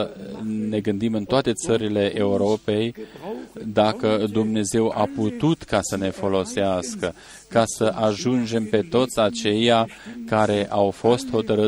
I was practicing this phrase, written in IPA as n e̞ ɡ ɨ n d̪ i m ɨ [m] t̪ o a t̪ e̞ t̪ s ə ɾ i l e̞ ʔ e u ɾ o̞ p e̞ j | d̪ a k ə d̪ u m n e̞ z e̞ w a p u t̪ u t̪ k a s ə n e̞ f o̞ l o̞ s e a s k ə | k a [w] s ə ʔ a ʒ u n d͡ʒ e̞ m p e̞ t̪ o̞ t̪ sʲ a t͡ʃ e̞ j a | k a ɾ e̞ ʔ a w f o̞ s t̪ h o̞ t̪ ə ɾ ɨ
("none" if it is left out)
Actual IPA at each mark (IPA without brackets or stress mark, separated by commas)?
n, none